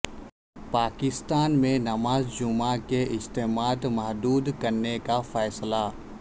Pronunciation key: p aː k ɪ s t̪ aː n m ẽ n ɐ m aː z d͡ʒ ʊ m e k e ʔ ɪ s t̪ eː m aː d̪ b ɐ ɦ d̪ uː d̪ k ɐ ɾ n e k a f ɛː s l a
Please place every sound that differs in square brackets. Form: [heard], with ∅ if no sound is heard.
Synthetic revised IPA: p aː k ɪ s t̪ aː n m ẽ n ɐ m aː z d͡ʒ ʊ m [a] k e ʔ ɪ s t̪ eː m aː d̪ [m] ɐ ɦ d̪ uː d̪ k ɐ ɾ n e k a f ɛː s l a